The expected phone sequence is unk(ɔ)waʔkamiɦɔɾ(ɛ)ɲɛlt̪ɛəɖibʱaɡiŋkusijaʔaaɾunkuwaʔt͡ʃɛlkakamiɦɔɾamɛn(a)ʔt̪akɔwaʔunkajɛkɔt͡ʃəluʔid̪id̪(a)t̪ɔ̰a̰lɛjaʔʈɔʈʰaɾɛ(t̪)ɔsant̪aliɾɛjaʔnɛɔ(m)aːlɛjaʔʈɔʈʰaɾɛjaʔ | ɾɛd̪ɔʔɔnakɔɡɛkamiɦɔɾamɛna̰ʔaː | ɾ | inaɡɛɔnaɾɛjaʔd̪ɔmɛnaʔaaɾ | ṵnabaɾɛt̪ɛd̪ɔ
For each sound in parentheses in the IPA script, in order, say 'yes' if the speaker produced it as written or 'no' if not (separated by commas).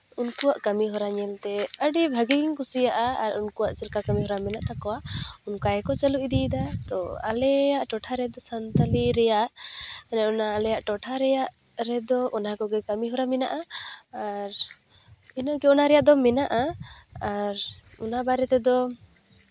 no, no, yes, yes, no, no